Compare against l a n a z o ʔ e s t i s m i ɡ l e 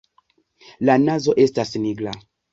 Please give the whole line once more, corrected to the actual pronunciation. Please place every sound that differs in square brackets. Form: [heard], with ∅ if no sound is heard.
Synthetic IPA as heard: l a n a z o ʔ e s t [a] s [n] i ɡ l [a]

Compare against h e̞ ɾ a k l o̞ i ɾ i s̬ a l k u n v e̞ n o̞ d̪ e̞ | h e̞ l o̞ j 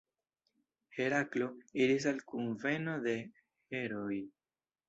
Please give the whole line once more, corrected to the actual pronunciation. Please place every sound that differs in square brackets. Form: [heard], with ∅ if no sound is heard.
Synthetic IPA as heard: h e̞ ɾ a k l o̞ i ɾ i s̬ a l k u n v e̞ n o̞ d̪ e̞ | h e̞ [ɾ] o̞ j

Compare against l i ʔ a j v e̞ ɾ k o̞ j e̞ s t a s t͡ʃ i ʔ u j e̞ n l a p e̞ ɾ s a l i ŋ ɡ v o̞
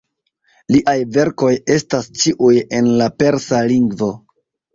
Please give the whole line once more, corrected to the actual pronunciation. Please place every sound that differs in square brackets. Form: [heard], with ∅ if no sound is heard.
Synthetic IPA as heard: l i ʔ a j v e̞ ɾ k o̞ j e̞ s t a s t͡ʃ i ʔ u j e̞ n l a p e̞ ɾ s a l i ŋ ɡ v o̞

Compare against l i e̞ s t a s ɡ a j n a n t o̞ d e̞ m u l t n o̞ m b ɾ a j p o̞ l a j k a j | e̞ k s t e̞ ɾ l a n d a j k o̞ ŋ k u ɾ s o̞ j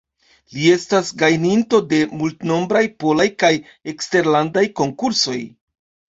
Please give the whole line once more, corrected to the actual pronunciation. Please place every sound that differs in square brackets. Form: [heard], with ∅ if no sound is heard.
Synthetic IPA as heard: l i e̞ s t a s ɡ a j n [i] n t o̞ d e̞ m u l t n o̞ m b ɾ a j p o̞ l a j k a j | e̞ k s t e̞ ɾ l a n d a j k o̞ ŋ k u ɾ s o̞ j

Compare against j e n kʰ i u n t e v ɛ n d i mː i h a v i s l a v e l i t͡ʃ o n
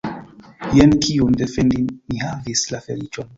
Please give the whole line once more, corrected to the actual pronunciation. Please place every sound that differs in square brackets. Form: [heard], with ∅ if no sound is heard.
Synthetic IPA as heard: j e n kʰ i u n [d] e [f] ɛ n d i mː i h a v i s l a [f] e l i t͡ʃ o n

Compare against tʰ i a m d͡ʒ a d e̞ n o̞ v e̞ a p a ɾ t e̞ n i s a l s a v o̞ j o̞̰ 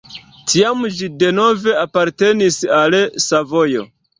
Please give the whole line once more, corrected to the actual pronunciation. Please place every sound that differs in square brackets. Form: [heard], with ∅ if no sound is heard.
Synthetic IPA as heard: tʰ i a m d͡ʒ [i] d e̞ n o̞ v e̞ a p a ɾ t e̞ n i s a l s a v o̞ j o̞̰

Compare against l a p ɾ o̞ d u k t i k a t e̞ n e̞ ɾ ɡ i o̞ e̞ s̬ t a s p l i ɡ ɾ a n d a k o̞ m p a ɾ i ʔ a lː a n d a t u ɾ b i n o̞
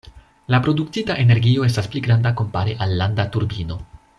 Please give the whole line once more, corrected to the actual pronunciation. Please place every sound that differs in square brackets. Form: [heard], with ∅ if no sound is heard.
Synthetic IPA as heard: l a p ɾ o̞ d u k t i [t] a [ʔ] e̞ n e̞ ɾ ɡ i o̞ e̞ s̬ t a s p l i ɡ ɾ a n d a k o̞ m p a ɾ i ʔ a lː a n d a t u ɾ b i n o̞

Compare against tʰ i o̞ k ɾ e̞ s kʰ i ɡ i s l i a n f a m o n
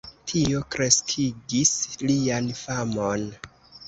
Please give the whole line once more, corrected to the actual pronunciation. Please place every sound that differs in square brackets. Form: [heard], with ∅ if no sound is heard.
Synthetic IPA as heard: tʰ i o̞ k ɾ e̞ s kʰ i ɡ i s l i a n f a m o n

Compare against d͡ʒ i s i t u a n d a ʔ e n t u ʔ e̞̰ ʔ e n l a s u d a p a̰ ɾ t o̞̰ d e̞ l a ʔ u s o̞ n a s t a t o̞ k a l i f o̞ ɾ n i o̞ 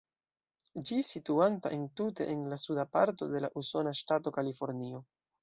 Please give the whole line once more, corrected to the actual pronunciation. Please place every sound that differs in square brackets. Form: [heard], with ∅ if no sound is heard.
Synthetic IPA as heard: d͡ʒ i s i t u a n [t] a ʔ e n t u [t] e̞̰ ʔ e n l a s u d a p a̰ ɾ t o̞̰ d e̞ l a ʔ u s o̞ n a [ʃ] t a t o̞ k a l i f o̞ ɾ n i o̞

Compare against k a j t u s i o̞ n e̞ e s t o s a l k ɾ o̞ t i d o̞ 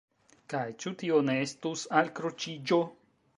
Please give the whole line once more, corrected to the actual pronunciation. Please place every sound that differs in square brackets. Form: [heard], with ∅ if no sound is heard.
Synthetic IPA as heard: k a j [t͡ʃ] u [t] i o̞ n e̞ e s t [u] s a l k ɾ o̞ [t͡ʃ] i [d͡ʒ] o̞

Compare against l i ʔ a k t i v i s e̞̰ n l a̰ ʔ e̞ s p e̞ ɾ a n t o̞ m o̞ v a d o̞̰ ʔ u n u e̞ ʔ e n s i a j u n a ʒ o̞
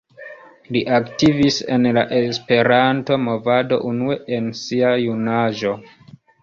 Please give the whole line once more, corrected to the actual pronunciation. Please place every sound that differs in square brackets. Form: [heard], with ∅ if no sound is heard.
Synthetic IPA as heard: l i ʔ a k t i v i s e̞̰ n l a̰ ʔ e̞ s p e̞ ɾ a n t o̞ m o̞ v a d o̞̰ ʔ u n u e̞ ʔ e n s i a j u n a ʒ o̞

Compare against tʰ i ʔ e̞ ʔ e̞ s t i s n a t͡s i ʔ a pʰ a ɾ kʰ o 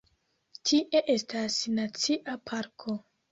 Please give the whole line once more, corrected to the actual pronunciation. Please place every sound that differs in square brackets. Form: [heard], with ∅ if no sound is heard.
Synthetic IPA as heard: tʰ i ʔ e̞ ʔ e̞ s t [a] s n a t͡s i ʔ a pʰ a ɾ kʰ o

